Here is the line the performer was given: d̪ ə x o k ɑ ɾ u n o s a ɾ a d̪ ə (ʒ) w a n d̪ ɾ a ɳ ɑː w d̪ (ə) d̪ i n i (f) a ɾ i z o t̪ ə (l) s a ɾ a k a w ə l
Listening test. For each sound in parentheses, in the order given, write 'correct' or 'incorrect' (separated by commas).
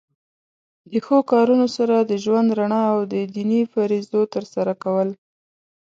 correct, correct, correct, incorrect